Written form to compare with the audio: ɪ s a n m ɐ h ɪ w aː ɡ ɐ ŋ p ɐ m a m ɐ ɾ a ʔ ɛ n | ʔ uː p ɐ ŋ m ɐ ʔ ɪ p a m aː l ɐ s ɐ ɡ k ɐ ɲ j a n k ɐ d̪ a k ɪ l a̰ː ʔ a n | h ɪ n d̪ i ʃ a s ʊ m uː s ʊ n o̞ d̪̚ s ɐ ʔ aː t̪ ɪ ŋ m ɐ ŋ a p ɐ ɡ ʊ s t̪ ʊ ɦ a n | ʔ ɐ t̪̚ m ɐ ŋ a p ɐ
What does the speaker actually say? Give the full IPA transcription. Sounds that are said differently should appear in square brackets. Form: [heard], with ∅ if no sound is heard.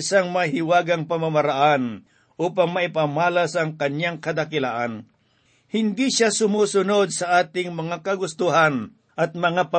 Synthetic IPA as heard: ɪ s a [ŋ] m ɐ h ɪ w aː ɡ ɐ ŋ p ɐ m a m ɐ ɾ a ʔ [a] n | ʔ uː p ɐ ŋ m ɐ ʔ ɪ p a m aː l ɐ s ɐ [ŋ] k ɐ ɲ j a [ŋ] k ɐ d̪ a k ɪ l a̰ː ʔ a n | h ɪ n d̪ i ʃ a s ʊ m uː s ʊ n o̞ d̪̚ s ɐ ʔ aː t̪ ɪ ŋ m ɐ ŋ a [k] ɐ ɡ ʊ s t̪ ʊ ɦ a n | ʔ ɐ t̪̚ m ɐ ŋ a p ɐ